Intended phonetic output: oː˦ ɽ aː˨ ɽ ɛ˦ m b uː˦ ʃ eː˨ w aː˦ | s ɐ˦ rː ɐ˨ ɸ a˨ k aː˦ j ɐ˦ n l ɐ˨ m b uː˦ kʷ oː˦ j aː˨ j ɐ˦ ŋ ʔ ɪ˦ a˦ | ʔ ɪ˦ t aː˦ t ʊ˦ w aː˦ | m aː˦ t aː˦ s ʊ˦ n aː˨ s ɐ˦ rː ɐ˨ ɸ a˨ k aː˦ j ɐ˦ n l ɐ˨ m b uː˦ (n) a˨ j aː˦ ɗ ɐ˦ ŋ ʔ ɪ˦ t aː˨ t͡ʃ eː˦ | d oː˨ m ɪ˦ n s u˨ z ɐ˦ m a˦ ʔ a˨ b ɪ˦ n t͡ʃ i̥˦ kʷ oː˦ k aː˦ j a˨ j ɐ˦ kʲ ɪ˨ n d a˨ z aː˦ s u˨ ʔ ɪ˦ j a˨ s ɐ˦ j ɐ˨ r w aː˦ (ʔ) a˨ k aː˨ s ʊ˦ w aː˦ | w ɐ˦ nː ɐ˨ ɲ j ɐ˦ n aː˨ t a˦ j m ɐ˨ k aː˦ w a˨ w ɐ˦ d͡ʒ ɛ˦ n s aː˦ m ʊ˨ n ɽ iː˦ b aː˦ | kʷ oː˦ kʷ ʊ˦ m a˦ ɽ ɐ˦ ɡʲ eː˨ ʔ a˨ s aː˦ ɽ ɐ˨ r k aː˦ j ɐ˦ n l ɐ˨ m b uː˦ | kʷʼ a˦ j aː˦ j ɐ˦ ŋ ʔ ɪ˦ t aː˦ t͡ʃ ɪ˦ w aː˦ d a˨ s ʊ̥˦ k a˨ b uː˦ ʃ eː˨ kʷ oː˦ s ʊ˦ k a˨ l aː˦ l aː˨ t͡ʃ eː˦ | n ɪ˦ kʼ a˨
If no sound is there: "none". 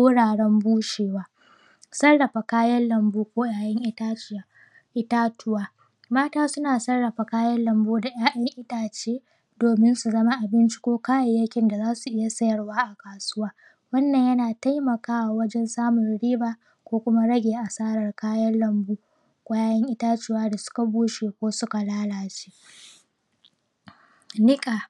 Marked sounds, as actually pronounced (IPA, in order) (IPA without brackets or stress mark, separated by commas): d, ʔ